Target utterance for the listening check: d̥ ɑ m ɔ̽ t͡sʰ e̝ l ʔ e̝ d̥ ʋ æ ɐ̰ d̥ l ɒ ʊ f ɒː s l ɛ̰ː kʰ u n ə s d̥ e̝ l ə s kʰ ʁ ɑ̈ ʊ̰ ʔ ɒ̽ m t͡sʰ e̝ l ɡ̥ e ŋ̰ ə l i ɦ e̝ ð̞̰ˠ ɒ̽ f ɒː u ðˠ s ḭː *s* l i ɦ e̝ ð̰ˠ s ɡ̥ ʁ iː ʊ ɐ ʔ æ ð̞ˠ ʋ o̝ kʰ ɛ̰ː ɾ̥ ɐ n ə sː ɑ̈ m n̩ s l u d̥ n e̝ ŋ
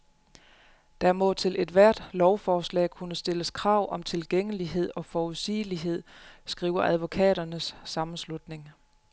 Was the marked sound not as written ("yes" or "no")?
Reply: yes